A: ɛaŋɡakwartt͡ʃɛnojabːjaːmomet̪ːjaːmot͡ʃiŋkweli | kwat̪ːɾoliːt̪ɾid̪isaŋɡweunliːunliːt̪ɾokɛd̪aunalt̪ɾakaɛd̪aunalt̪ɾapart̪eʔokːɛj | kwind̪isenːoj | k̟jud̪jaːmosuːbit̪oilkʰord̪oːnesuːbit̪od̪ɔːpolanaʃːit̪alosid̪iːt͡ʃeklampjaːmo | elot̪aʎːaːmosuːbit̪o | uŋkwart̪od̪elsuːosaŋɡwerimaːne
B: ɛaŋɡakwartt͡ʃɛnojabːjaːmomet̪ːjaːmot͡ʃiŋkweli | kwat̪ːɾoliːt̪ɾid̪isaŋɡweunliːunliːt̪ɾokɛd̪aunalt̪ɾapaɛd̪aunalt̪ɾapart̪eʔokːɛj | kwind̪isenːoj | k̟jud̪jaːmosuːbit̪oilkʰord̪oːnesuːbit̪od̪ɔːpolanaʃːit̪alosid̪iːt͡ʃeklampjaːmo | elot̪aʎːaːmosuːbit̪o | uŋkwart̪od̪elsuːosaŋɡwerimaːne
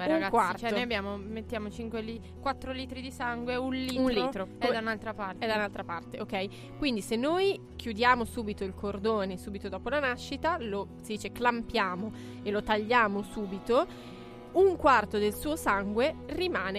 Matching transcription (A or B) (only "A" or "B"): B